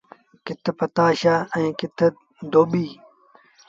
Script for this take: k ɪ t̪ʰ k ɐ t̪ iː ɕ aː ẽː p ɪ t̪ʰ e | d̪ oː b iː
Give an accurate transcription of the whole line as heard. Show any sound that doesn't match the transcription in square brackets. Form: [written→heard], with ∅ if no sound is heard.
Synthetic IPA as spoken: k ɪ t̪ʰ [k→p] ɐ t̪ [iː→aː] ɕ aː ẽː [p→k] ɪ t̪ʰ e | d̪ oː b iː